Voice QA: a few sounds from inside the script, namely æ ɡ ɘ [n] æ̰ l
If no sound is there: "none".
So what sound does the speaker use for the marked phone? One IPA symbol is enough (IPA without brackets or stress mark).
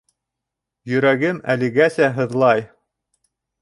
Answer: m